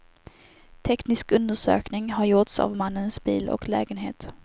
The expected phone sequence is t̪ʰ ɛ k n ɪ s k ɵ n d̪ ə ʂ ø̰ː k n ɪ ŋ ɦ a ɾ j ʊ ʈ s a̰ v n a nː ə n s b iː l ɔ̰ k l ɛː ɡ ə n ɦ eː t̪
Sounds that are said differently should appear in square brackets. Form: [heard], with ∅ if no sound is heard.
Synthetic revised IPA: t̪ʰ ɛ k n ɪ s k ɵ n d̪ ə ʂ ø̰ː k n ɪ ŋ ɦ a ɾ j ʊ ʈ s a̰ v [m] a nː ə n s b iː l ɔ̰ k l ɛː ɡ ə n ɦ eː t̪